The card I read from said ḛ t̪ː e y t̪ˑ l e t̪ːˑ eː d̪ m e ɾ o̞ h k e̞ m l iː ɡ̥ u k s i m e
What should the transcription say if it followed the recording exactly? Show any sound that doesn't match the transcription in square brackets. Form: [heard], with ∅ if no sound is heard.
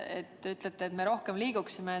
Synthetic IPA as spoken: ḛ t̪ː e y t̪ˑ l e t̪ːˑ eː [t̪] m e ɾ o̞ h k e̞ m l iː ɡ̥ u k s i m e